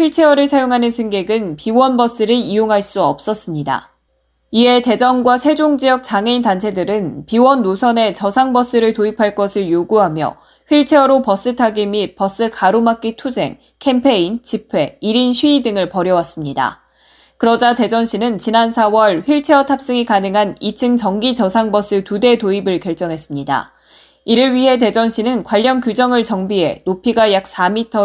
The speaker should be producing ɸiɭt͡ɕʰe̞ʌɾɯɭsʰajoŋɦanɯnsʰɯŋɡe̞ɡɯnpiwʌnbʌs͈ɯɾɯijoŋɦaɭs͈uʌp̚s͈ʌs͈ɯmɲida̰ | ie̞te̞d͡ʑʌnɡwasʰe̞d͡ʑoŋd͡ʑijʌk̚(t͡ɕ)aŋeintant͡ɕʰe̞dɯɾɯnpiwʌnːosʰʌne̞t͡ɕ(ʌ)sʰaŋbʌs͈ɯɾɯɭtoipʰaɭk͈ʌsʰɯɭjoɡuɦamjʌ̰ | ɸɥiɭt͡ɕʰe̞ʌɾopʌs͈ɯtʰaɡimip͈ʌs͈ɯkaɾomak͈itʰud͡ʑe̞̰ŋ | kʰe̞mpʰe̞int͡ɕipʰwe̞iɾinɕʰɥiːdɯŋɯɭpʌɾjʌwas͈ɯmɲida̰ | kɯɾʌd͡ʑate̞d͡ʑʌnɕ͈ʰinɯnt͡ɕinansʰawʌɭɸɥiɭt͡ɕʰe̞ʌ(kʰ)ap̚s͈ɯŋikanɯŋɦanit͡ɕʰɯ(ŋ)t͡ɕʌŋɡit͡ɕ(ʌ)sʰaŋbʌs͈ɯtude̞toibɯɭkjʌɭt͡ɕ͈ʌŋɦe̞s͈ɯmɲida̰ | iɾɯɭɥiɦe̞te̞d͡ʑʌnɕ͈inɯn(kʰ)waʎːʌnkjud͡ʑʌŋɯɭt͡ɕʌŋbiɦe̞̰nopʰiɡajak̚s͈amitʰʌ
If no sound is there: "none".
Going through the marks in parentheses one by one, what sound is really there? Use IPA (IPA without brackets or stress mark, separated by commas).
t͡ɕ, ʌ, tʰ, ŋ, ʌ, k